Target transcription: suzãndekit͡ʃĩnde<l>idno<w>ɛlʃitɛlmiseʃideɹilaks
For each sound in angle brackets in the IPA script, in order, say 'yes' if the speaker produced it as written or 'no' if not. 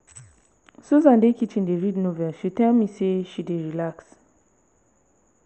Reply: no, no

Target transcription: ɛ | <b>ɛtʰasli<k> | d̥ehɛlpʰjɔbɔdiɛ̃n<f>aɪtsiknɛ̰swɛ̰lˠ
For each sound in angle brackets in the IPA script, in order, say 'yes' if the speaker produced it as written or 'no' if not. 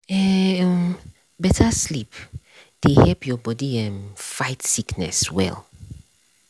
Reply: yes, no, yes

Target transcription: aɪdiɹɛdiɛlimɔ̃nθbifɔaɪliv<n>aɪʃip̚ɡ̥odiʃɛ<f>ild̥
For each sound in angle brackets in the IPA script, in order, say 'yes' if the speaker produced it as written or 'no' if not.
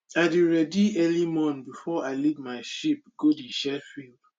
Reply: no, yes

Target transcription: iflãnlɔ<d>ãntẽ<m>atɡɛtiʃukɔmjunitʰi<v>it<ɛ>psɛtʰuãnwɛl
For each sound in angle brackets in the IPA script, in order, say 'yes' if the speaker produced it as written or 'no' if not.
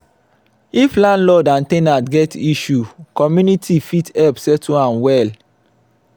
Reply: yes, no, no, yes

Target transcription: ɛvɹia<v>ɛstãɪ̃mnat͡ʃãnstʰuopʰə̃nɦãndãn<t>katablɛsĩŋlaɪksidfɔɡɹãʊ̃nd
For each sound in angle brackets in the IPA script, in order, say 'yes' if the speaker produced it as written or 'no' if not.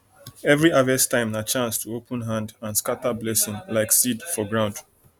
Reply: yes, no

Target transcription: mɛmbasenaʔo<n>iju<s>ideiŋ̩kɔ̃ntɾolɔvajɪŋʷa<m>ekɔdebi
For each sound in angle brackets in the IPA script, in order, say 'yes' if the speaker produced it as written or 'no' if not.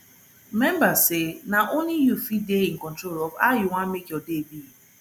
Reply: yes, no, yes

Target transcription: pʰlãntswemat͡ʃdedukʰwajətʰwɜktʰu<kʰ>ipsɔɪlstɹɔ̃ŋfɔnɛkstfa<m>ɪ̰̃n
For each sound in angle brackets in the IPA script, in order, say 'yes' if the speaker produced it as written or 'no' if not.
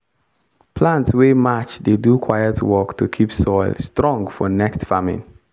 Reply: yes, yes

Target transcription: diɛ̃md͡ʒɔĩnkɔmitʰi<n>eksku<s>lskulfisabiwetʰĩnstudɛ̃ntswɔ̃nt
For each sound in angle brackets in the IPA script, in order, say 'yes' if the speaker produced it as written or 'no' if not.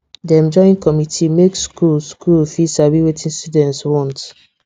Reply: no, no

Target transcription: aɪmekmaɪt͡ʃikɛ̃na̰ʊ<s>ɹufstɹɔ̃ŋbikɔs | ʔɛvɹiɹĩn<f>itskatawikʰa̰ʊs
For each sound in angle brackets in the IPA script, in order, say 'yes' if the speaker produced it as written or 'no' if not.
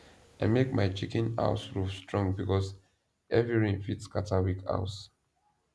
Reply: yes, yes

